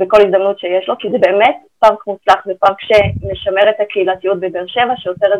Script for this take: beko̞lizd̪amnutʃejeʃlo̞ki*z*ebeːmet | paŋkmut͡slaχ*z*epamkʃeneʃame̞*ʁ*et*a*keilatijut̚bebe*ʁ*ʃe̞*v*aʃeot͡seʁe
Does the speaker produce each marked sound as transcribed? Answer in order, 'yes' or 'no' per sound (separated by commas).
yes, no, yes, yes, yes, yes